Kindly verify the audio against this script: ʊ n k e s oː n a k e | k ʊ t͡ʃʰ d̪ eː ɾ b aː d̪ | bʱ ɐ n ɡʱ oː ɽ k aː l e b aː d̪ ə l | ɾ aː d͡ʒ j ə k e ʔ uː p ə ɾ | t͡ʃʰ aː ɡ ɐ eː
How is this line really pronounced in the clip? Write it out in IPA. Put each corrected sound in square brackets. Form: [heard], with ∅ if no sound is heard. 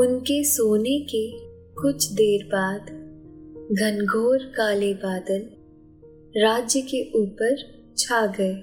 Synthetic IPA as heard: ʊ n k e s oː n [e] k e | k ʊ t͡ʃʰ d̪ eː ɾ b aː d̪ | [ɡʱ] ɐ n ɡʱ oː [ɾ] k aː l e b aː d̪ ə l | ɾ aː d͡ʒ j ə k e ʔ uː p ə ɾ | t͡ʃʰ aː ɡ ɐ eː